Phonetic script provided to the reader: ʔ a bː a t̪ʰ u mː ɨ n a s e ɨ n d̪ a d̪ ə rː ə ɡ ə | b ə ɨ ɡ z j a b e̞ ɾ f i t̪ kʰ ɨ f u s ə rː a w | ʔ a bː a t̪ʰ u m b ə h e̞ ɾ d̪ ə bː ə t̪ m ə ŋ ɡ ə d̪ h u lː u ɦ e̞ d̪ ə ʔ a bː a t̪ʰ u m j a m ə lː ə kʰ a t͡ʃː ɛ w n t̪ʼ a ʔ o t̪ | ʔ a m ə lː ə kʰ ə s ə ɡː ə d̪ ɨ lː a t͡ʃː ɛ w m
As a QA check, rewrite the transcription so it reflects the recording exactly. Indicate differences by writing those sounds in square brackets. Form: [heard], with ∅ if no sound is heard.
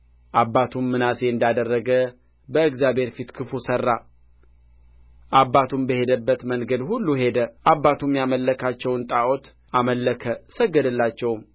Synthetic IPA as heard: ʔ a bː a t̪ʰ u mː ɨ n a s e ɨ n d̪ a d̪ ə rː ə ɡ ə | b ə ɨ ɡ z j a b e̞ ɾ f i t̪ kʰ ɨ f u s ə rː a [∅] | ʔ a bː a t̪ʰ u m b ə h e̞ [∅] d̪ ə bː ə t̪ m ə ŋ ɡ ə d̪ h u lː u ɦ e̞ d̪ ə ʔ a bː a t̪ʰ u m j a m ə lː ə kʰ a t͡ʃː ɛ w n t̪ʼ a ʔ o t̪ | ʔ a m ə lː ə kʰ ə s ə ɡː ə d̪ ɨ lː a t͡ʃː ɛ w m